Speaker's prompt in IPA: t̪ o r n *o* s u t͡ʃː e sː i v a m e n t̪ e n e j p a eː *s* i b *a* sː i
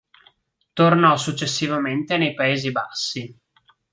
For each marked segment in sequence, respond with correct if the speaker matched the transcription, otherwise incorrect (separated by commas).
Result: incorrect, incorrect, correct